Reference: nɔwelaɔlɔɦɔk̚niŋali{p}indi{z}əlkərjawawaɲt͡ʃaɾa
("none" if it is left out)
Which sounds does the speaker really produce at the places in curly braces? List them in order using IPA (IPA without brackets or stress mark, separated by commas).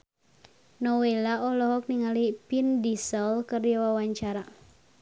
p, s